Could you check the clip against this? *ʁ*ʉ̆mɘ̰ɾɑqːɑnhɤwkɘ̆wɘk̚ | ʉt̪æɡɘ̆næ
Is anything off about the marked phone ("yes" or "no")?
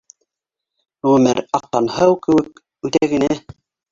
no